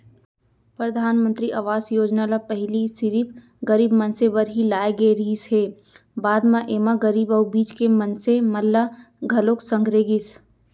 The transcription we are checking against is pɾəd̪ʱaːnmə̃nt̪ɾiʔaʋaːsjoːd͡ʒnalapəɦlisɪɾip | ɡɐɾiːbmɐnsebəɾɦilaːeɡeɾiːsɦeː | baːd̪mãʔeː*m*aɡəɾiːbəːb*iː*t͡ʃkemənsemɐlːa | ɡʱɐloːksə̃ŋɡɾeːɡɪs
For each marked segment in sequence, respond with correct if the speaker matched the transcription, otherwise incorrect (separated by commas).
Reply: correct, correct